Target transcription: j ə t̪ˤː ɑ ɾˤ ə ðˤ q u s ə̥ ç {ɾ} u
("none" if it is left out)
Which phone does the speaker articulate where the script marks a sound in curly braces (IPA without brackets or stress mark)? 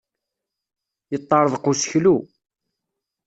l